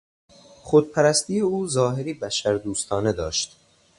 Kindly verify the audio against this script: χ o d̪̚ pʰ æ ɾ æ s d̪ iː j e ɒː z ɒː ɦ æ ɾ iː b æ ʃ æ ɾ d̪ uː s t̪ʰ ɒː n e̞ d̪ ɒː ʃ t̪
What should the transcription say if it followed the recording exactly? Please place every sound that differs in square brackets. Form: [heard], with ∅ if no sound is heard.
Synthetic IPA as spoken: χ o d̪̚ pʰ æ ɾ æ s [t̪] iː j e [uː] z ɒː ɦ [e] ɾ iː b æ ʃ æ ɾ d̪ uː s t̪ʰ ɒː n e̞ d̪ ɒː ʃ t̪